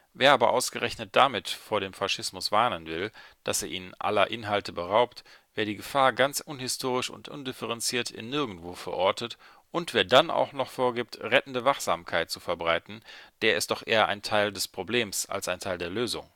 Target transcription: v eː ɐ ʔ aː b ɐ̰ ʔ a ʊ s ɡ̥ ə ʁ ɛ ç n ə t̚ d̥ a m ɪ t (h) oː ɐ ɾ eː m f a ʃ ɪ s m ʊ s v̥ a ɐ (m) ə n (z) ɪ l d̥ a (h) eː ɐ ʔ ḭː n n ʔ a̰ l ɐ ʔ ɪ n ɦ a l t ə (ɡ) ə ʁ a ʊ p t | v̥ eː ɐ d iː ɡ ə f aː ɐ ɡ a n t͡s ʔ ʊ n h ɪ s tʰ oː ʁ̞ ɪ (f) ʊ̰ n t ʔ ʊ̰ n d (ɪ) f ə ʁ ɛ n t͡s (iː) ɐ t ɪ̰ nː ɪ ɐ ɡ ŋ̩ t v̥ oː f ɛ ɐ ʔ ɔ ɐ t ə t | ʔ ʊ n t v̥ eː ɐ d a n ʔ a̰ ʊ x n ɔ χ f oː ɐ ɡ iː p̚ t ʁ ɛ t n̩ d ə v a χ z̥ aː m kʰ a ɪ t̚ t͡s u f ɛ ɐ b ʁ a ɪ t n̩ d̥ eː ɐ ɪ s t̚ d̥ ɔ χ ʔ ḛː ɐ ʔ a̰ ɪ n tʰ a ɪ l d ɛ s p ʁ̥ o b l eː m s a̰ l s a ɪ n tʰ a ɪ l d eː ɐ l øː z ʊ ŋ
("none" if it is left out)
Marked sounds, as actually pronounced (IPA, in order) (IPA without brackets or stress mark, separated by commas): f, n, v, s, b, ʃ, ɪ, iː